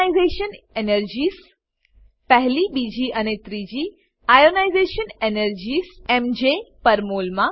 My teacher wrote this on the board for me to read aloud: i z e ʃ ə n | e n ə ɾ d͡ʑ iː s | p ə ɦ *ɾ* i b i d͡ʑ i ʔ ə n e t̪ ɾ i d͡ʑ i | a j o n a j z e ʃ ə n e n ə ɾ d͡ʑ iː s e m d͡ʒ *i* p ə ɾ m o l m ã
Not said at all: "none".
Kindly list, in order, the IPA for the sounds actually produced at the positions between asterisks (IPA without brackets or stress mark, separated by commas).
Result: l, e